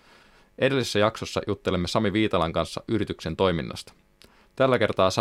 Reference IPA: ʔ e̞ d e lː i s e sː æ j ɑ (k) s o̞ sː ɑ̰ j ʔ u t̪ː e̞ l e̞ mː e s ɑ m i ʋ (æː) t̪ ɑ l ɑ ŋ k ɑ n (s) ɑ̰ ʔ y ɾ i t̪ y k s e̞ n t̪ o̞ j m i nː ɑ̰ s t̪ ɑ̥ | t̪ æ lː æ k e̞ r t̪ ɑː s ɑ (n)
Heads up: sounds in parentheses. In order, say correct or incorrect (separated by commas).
correct, incorrect, incorrect, incorrect